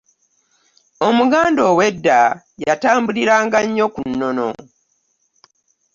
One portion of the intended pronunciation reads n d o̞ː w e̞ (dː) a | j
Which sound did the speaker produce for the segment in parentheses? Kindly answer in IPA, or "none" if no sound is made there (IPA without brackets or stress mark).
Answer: dː